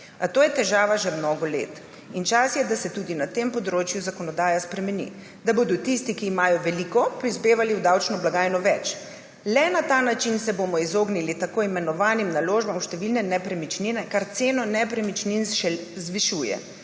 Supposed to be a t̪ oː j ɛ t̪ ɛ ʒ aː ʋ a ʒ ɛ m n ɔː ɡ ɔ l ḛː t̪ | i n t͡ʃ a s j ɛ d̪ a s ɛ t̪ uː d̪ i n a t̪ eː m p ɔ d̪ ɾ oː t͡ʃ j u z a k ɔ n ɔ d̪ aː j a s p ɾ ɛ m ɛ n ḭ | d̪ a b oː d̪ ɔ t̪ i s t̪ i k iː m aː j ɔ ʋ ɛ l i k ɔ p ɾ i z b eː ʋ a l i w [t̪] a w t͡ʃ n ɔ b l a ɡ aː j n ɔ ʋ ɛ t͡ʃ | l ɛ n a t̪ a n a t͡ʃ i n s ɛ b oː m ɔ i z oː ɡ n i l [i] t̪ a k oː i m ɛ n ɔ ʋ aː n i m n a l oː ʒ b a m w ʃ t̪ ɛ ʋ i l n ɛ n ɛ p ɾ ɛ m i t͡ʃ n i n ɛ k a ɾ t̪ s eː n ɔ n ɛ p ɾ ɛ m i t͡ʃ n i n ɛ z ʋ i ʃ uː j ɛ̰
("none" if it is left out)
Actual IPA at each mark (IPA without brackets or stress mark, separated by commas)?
d̪, i